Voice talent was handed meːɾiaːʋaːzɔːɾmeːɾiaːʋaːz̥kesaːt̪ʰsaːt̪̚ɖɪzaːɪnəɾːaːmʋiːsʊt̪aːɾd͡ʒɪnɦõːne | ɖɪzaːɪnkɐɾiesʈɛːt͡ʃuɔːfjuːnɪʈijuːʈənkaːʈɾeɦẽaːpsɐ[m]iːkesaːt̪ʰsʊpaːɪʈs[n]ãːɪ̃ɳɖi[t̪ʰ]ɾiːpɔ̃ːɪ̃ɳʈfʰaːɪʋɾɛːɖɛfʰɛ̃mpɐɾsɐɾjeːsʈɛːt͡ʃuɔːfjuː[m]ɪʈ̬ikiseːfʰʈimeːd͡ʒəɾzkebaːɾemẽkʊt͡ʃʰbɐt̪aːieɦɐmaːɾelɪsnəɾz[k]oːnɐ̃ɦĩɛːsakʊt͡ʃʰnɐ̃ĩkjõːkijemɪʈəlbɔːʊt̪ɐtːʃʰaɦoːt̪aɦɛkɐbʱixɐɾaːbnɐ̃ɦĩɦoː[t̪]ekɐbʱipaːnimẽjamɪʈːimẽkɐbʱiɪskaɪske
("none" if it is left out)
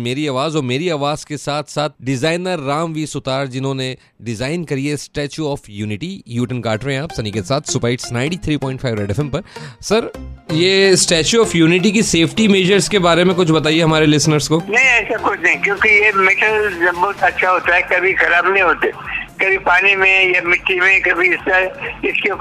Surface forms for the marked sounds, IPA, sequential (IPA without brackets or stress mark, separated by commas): n, n, t̪ʰ, n, k, t̪